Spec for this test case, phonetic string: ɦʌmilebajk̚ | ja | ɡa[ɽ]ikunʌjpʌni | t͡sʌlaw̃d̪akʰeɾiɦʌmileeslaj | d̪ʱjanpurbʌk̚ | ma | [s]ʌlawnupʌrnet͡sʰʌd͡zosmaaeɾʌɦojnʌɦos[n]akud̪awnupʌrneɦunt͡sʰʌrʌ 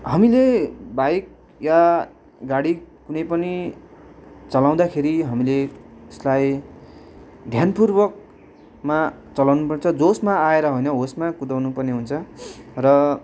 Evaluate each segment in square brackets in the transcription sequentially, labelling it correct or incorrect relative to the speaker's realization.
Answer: correct, incorrect: t͡s, incorrect: m

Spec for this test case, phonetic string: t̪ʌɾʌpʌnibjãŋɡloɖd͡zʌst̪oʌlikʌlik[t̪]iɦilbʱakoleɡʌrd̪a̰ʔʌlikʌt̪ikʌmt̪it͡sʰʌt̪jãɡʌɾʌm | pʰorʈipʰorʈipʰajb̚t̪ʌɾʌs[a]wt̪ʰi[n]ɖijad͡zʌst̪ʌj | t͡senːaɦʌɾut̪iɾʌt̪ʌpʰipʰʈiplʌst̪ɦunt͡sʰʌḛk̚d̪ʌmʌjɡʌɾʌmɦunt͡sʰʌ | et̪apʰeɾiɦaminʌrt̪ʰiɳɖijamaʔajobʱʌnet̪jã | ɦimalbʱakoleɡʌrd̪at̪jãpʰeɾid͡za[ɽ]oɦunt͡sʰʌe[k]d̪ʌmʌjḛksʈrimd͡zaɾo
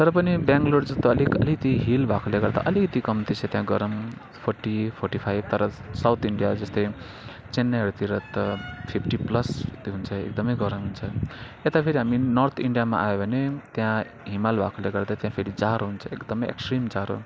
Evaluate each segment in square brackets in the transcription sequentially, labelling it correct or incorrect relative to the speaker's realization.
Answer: correct, correct, incorrect: ɳ, incorrect: ɾ, correct

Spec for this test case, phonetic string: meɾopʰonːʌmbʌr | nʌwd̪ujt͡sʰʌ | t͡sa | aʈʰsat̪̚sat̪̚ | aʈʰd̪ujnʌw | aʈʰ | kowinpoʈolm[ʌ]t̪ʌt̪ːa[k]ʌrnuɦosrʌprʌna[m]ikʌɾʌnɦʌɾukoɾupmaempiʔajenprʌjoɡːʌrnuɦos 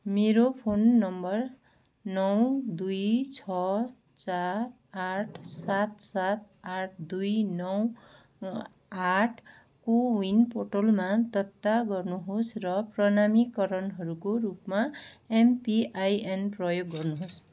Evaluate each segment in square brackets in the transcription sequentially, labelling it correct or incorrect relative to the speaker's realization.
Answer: incorrect: a, incorrect: ɡ, correct

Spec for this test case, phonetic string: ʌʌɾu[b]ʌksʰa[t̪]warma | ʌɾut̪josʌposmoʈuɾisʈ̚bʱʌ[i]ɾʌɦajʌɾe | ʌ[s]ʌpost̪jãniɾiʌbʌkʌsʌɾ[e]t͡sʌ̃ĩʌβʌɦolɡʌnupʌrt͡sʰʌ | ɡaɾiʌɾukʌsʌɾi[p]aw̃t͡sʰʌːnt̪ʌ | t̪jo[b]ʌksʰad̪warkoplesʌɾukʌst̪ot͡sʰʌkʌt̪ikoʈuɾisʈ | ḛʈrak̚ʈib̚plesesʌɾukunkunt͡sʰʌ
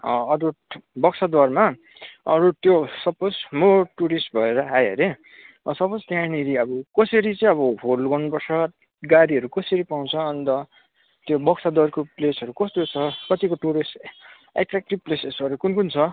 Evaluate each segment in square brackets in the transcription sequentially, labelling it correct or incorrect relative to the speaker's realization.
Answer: correct, incorrect: d̪, incorrect: e, correct, incorrect: i, correct, correct

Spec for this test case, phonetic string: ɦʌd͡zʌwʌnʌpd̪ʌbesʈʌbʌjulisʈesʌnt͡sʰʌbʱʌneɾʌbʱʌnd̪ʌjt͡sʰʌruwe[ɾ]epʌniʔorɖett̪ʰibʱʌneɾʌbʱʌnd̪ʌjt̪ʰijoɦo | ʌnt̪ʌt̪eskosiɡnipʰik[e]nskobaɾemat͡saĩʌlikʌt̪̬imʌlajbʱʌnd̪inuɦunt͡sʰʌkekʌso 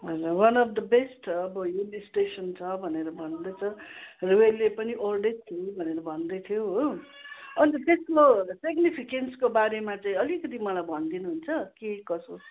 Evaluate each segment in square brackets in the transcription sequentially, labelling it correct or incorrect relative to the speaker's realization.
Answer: incorrect: l, correct

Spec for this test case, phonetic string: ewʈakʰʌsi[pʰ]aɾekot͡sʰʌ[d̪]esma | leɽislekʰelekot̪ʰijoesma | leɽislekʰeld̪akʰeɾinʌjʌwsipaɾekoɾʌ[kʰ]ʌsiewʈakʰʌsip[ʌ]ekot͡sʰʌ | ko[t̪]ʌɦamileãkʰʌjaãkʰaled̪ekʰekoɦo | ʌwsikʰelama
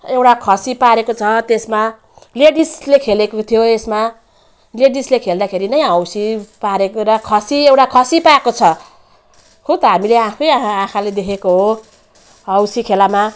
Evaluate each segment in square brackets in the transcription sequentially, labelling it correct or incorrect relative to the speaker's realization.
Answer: incorrect: p, incorrect: t̪, correct, incorrect: a, correct

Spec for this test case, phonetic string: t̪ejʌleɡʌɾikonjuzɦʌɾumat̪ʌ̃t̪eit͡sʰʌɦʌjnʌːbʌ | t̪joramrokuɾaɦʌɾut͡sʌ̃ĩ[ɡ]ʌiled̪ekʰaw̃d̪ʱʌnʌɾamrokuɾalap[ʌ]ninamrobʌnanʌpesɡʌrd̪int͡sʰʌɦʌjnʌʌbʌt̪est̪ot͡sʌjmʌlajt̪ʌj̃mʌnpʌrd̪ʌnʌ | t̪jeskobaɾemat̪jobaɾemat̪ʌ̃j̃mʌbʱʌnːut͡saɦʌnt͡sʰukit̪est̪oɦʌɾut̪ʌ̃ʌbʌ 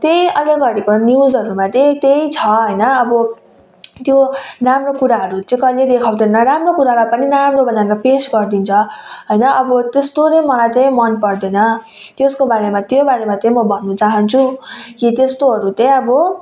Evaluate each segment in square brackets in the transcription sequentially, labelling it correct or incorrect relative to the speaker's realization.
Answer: incorrect: k, correct

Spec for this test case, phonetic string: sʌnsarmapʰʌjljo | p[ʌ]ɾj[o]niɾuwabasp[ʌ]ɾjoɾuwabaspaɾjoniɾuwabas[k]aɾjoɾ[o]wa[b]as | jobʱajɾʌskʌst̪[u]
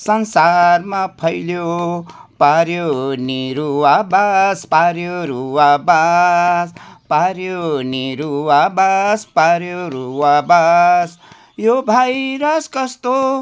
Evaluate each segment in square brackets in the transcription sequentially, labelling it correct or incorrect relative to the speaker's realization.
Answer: incorrect: a, correct, incorrect: a, incorrect: p, incorrect: u, correct, incorrect: o

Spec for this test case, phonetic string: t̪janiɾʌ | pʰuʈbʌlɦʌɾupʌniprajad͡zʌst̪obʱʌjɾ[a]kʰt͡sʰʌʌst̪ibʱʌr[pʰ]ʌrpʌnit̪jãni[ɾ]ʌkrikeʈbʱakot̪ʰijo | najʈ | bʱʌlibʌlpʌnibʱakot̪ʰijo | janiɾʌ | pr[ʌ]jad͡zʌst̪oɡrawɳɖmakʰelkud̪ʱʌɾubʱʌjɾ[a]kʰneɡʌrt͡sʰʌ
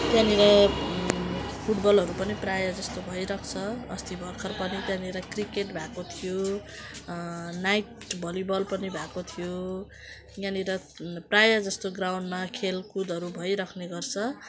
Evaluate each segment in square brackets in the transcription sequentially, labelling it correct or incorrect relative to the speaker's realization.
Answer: incorrect: ʌ, incorrect: kʰ, correct, incorrect: a, incorrect: ʌ

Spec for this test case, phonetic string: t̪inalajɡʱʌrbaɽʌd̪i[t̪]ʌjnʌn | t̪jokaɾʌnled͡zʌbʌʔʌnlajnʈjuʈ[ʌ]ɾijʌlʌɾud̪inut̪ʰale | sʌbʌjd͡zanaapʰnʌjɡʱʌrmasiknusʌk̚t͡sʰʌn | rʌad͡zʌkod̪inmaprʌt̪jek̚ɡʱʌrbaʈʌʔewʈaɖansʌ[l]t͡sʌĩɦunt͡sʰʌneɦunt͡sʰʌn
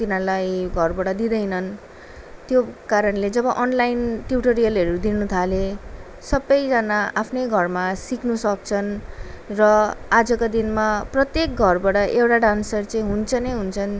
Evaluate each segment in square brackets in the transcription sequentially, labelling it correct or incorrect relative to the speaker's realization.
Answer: incorrect: d̪, correct, incorrect: r

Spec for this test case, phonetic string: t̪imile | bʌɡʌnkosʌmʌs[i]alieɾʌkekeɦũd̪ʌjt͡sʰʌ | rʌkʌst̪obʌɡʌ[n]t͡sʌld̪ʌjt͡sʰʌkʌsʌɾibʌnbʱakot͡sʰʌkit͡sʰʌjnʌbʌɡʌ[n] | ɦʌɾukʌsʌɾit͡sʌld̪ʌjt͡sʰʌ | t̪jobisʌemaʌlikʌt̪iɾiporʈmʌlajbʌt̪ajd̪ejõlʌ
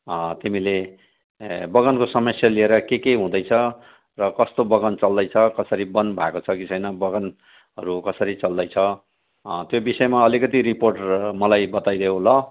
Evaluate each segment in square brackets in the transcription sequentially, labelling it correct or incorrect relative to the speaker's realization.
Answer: incorrect: j, correct, correct

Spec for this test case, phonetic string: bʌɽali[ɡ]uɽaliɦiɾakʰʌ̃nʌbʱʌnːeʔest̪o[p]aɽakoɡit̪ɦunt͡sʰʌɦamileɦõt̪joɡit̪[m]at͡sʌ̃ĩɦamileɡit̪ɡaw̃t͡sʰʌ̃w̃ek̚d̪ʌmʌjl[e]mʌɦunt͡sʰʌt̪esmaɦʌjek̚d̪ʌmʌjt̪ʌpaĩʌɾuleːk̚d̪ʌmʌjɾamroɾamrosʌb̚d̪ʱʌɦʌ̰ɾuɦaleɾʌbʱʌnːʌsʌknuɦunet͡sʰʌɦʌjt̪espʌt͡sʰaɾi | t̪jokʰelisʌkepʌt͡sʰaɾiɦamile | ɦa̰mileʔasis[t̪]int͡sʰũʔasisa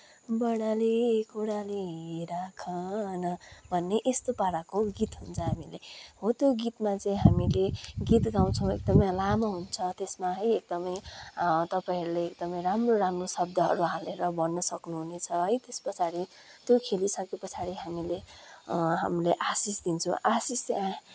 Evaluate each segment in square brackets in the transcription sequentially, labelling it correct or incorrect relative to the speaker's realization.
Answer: incorrect: k, correct, correct, incorrect: a, incorrect: d̪

